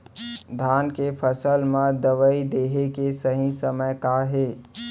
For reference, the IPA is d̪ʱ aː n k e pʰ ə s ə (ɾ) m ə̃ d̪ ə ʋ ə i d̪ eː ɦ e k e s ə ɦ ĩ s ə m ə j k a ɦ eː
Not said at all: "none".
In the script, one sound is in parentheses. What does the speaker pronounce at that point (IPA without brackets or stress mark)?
l